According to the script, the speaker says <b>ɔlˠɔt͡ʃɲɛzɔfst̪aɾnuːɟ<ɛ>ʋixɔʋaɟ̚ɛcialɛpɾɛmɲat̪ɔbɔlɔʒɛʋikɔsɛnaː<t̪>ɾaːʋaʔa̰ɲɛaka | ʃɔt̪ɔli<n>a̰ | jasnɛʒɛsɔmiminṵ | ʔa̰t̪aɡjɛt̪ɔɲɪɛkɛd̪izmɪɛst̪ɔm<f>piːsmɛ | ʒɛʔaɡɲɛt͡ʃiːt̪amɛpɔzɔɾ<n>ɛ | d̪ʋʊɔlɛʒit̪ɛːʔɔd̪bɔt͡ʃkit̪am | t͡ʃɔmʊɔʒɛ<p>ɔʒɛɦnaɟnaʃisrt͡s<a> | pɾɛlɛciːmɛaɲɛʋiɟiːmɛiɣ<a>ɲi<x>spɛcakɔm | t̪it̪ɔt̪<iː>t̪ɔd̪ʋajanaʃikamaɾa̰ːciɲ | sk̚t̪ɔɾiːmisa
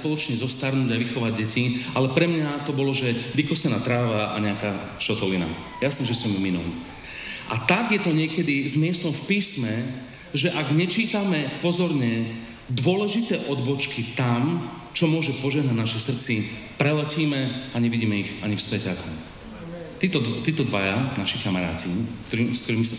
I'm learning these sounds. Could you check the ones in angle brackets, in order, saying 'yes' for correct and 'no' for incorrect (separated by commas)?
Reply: no, no, yes, yes, yes, no, yes, no, yes, no, yes